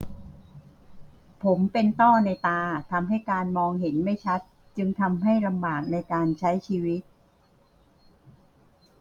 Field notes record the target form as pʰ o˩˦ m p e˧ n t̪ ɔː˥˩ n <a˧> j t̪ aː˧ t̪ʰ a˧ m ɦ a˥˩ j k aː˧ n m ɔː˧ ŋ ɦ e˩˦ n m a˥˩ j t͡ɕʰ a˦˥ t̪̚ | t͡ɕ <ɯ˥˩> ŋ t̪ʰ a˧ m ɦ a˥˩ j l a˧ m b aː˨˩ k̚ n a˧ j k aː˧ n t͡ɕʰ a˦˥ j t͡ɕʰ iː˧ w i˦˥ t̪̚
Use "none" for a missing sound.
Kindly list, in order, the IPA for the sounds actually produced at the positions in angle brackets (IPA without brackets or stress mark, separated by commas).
a˧, ɯ˧